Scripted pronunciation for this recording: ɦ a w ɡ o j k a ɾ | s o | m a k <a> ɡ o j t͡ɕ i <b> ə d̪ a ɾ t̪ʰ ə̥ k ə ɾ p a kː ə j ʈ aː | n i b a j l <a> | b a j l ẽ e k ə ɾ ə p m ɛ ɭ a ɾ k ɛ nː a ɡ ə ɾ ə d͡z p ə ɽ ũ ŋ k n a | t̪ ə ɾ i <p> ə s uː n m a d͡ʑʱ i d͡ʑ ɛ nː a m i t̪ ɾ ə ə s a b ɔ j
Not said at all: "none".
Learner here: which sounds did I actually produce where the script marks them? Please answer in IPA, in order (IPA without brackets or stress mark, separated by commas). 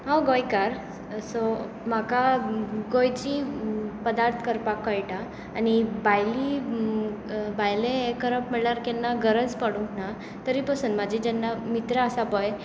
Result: a, p, i, p